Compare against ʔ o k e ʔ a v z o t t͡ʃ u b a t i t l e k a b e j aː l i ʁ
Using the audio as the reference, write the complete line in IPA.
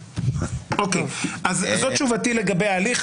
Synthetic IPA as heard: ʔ o k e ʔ a z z o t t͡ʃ u v a t i l e ɡ a b e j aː l i χ